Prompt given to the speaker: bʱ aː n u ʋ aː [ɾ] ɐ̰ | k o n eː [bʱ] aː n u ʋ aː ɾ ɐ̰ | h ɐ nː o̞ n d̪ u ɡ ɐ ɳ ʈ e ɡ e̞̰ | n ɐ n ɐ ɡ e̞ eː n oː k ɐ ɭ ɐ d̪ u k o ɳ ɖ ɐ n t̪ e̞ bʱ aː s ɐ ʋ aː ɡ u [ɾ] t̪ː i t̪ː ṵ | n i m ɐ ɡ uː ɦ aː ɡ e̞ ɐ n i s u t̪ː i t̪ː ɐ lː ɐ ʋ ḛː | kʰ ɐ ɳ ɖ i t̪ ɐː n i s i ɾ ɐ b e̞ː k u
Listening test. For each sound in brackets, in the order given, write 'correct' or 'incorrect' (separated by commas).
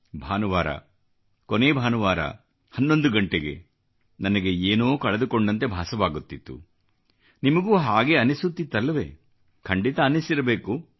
correct, correct, incorrect